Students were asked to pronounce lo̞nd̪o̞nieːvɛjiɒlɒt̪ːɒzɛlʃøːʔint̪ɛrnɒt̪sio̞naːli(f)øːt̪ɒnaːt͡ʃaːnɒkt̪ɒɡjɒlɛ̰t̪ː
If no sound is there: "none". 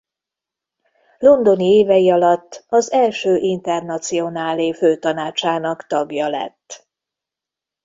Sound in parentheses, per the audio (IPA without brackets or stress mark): f